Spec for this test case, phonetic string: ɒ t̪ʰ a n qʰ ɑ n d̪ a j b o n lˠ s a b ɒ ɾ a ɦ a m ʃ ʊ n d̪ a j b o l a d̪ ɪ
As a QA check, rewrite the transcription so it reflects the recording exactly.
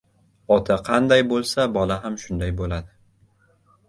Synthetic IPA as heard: ɒ t̪ʰ a qʰ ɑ n d̪ a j b o lˠ s a b ɒ l a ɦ a m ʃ ʊ n d̪ a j b o l a d̪ ɪ